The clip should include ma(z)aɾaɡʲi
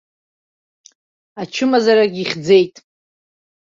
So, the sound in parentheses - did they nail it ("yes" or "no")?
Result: yes